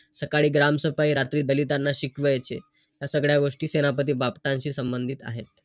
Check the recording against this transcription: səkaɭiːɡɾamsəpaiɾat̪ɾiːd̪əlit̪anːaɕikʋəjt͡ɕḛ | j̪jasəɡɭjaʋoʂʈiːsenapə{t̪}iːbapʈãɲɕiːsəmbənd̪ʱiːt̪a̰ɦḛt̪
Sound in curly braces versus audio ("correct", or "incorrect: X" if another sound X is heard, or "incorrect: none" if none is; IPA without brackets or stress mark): correct